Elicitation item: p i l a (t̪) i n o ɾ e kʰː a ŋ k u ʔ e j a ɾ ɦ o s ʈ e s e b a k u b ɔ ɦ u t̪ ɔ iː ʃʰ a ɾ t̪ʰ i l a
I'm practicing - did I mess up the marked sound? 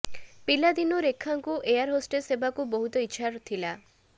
yes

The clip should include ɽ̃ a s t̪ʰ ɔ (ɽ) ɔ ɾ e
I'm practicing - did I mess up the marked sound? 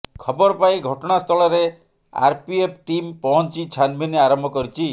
yes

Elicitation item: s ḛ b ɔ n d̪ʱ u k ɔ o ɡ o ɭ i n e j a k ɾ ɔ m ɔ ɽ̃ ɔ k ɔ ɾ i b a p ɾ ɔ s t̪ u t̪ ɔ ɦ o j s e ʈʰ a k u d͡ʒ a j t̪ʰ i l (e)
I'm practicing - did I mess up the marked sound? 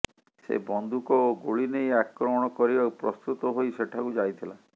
yes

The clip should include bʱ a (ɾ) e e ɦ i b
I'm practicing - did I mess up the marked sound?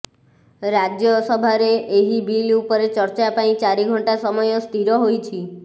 no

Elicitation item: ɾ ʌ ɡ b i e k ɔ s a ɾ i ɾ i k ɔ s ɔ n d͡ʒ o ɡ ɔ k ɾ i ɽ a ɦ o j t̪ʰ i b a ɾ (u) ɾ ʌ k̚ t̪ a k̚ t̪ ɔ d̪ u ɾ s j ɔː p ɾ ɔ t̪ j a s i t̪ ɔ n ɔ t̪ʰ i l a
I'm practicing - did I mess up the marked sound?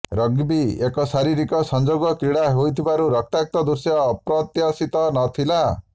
no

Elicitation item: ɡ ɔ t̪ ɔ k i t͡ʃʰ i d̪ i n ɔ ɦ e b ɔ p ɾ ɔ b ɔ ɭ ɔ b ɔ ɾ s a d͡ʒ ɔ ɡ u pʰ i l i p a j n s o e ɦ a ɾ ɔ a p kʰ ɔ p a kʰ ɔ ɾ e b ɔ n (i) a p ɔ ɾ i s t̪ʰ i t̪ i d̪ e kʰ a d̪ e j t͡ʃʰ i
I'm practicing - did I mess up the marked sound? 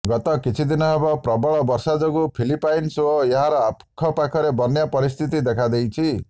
yes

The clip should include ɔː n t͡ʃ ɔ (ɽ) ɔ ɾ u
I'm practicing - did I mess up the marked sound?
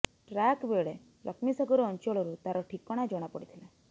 yes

